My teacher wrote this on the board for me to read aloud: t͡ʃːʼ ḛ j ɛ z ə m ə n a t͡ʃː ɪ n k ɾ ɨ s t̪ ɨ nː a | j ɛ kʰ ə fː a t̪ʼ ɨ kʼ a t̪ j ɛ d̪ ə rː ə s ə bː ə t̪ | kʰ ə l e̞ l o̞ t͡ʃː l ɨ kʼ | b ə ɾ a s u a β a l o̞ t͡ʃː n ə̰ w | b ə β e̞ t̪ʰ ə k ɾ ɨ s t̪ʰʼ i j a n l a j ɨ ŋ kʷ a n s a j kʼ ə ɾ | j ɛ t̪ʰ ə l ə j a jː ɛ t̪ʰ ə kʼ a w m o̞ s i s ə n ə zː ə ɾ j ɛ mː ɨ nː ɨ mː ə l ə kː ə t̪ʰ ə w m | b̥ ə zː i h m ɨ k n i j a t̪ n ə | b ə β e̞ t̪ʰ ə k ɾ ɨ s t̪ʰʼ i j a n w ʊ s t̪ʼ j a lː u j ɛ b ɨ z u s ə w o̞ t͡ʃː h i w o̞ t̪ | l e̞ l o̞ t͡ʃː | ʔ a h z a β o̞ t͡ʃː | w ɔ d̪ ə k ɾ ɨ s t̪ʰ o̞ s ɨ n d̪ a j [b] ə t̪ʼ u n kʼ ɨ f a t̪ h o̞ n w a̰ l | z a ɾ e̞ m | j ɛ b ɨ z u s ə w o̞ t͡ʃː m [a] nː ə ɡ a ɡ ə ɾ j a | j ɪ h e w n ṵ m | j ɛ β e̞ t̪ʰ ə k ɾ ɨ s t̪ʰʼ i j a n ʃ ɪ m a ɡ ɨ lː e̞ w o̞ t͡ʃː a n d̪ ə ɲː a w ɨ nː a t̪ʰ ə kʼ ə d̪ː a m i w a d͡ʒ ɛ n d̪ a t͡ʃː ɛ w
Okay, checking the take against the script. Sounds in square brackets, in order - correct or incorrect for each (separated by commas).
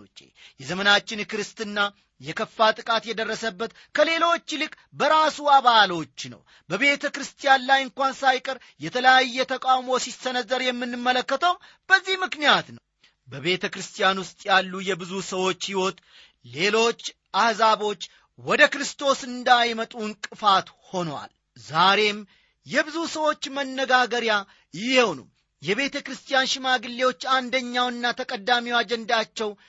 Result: incorrect, incorrect